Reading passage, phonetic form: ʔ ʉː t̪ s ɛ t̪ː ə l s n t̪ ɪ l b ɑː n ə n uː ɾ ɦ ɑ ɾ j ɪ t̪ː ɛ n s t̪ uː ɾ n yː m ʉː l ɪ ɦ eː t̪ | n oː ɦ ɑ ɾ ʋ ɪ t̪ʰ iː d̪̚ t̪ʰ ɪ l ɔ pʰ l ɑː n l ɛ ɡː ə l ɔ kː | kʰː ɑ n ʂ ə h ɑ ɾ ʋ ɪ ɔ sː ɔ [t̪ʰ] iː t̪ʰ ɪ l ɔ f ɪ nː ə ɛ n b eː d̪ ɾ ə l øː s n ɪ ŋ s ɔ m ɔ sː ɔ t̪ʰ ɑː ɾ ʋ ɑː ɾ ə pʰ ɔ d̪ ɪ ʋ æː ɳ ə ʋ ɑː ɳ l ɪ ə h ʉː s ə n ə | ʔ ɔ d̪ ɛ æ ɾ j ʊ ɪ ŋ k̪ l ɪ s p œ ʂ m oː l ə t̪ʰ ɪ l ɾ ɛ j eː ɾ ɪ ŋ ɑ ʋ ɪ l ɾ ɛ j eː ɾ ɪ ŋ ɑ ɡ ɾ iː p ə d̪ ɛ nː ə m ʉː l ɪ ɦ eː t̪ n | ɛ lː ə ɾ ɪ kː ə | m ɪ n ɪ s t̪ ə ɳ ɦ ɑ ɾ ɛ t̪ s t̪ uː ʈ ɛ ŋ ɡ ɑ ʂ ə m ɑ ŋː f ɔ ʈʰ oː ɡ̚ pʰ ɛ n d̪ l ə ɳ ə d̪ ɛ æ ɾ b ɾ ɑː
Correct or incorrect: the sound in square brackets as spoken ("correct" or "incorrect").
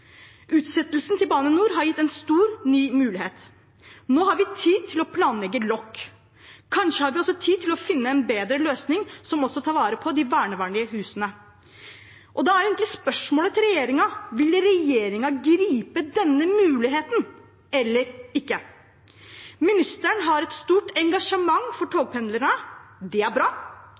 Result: correct